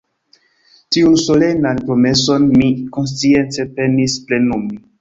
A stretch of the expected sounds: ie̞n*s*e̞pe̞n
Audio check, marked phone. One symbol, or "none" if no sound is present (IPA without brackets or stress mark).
t͡s